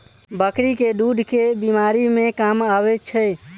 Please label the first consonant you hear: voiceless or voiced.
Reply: voiced